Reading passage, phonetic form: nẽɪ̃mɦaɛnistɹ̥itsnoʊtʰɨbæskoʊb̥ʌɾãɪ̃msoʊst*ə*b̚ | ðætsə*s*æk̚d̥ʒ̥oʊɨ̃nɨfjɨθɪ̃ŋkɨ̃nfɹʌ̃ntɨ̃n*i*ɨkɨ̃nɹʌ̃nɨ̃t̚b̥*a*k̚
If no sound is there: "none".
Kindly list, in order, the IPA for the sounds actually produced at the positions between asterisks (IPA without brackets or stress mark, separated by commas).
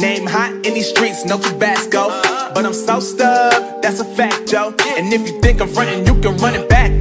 ʌ, f, j, æ